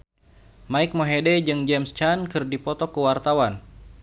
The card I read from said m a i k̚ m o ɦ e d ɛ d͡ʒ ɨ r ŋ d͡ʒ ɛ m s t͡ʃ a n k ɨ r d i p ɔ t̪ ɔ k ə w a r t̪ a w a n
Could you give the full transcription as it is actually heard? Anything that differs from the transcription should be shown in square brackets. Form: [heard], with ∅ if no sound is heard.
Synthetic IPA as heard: m a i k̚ m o ɦ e d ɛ d͡ʒ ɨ [∅] ŋ d͡ʒ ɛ m s t͡ʃ a n k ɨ r d i p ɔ t̪ ɔ k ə w a r t̪ a w a n